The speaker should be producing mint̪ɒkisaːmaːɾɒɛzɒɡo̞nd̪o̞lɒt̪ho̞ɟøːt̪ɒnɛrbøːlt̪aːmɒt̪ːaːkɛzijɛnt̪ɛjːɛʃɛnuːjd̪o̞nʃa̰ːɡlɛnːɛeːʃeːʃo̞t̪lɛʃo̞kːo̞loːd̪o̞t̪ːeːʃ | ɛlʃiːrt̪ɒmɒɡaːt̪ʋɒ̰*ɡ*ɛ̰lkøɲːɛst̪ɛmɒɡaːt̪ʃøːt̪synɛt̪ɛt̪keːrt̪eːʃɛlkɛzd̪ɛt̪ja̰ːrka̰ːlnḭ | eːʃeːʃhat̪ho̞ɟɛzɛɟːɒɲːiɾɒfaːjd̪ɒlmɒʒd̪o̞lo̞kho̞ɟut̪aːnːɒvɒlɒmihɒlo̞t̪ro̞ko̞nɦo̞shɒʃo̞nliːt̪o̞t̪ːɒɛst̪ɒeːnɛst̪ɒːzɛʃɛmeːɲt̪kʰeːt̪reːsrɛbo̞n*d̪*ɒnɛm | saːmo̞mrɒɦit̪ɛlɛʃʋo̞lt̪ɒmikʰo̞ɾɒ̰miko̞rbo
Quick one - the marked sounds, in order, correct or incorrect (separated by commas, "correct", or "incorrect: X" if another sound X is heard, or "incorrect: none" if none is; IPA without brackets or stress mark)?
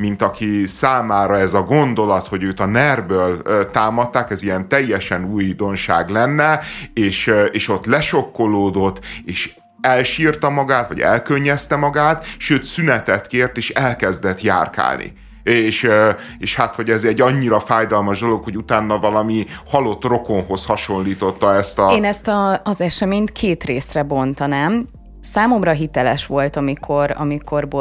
incorrect: ɟ, incorrect: t̪